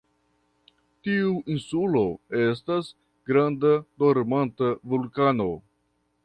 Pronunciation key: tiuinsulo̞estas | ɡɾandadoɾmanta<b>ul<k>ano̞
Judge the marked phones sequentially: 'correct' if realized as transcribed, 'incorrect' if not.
incorrect: v, correct

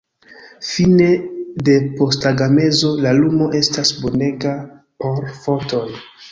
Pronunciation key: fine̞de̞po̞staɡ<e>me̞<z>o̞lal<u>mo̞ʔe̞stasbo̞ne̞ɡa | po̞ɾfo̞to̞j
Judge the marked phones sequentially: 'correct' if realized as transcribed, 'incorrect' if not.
incorrect: a, correct, correct

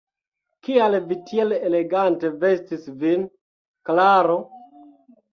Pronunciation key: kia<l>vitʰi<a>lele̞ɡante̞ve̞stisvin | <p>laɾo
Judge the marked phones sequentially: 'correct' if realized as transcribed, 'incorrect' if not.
correct, incorrect: e, incorrect: k

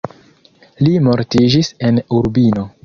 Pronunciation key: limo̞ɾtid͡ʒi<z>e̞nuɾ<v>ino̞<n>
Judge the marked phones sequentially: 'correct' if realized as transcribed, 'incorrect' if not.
incorrect: s, incorrect: b, incorrect: none

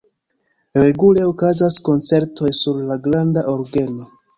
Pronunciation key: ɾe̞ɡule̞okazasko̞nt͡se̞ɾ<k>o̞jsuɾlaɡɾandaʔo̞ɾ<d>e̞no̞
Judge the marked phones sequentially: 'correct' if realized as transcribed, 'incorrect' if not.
incorrect: t, incorrect: ɡ

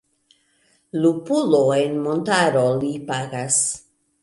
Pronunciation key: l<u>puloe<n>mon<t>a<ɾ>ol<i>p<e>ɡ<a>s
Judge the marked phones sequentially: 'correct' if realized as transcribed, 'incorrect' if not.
correct, correct, correct, correct, correct, incorrect: a, correct

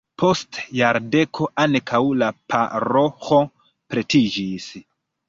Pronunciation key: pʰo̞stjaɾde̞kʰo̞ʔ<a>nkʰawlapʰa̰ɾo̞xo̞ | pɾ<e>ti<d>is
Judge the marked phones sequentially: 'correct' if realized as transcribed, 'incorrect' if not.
correct, correct, incorrect: d͡ʒ

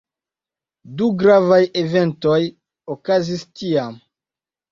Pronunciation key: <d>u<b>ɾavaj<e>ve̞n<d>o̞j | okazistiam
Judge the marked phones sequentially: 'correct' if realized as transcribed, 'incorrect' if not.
correct, incorrect: ɡ, correct, incorrect: t

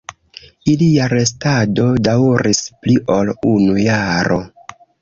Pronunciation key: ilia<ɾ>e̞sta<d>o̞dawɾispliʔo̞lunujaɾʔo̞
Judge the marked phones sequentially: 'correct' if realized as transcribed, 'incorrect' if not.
correct, correct

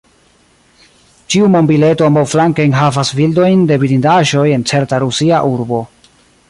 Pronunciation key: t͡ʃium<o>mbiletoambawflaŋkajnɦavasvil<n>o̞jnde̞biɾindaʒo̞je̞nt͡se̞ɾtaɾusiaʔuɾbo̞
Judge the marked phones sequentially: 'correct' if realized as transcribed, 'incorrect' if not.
correct, incorrect: d

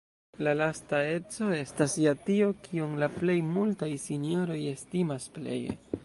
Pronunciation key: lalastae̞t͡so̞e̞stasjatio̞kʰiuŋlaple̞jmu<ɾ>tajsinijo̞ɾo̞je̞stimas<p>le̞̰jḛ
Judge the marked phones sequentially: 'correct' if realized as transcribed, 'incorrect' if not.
incorrect: l, correct

